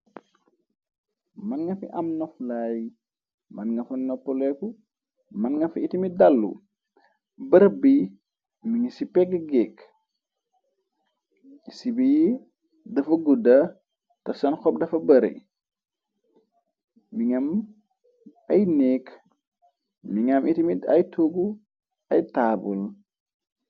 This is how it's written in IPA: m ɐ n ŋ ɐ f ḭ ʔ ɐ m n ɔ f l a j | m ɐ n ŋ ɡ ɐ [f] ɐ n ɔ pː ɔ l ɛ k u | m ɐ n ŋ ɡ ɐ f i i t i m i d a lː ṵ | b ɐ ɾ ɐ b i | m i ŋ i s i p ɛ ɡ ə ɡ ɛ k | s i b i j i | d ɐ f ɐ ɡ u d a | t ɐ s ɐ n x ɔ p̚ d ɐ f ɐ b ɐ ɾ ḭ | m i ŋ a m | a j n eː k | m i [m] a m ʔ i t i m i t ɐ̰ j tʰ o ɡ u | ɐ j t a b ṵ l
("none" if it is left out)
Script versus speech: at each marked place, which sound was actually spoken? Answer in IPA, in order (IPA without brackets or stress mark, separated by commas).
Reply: f, ŋ